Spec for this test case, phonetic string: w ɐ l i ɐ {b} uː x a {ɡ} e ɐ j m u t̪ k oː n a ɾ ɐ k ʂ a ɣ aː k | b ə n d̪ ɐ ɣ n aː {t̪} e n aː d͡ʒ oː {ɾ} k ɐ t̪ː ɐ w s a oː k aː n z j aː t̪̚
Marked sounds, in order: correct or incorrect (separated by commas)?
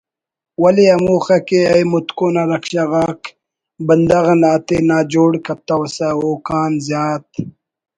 incorrect, incorrect, correct, incorrect